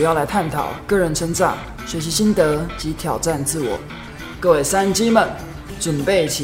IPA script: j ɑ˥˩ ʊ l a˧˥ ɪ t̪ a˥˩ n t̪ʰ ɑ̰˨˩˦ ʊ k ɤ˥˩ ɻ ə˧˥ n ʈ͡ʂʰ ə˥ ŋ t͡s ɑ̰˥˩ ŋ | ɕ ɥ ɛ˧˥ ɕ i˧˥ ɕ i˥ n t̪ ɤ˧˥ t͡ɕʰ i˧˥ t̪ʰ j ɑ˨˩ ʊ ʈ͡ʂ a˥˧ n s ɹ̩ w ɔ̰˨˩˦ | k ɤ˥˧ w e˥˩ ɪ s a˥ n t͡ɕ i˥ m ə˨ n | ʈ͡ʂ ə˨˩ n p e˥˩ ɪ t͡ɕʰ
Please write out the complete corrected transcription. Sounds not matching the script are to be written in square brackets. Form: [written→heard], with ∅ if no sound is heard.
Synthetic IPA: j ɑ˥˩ ʊ l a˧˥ ɪ [t̪→t̪ʰ] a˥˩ n t̪ʰ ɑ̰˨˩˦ ʊ k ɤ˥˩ ɻ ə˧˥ n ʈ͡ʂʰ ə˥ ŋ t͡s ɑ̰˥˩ ŋ | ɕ ɥ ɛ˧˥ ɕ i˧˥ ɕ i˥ n t̪ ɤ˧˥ [t͡ɕʰ→t͡ɕ] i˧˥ t̪ʰ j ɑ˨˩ ʊ ʈ͡ʂ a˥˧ n [s→t͡s] ɹ̩ w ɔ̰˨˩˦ | k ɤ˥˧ w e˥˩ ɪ s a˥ n t͡ɕ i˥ m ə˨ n | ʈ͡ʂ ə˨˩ n p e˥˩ ɪ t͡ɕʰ